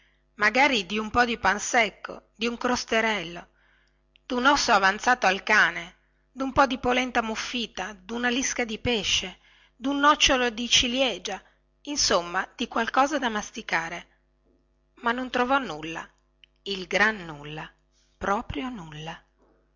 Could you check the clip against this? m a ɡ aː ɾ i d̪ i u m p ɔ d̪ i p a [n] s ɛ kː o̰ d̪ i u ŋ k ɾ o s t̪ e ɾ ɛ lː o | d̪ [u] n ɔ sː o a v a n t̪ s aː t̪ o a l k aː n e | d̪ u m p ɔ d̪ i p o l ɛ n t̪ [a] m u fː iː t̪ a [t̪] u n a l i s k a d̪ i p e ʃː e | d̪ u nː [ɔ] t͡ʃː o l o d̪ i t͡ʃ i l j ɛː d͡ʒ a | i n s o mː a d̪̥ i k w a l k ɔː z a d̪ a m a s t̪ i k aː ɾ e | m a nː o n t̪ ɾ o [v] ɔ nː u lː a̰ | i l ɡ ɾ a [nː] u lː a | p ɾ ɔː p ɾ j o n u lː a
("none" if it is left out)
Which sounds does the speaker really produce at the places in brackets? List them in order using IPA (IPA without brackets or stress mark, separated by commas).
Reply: n, u, a, d̪, ɔ, v, nː